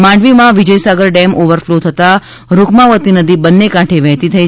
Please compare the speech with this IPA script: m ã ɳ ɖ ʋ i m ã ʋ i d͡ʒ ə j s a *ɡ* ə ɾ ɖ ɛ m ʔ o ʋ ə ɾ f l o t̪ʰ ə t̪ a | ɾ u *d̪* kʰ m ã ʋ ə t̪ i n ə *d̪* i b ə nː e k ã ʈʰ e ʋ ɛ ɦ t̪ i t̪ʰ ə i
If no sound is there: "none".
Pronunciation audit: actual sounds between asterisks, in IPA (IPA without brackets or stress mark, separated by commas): ɡ, none, d̪